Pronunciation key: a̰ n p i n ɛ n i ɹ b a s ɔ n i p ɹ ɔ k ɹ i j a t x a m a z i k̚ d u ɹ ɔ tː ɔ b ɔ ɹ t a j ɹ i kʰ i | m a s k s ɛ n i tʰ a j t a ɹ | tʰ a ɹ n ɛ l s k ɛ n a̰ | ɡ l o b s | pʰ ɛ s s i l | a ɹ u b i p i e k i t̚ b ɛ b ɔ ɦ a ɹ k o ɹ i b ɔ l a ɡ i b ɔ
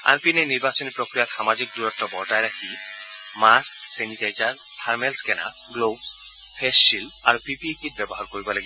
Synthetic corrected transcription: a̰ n p i n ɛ n i ɹ b a s ɔ n i p ɹ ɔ k ɹ i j a t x a m a z i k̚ d u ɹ ɔ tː ɔ b ɔ ɹ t a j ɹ a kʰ i | m a s k s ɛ n i t a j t a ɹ | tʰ a ɹ m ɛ l s k ɛ n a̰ | ɡ l o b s | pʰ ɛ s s i l | a ɹ u p i p i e k i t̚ b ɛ b ɔ ɦ a ɹ k o ɹ i b ɔ l a ɡ i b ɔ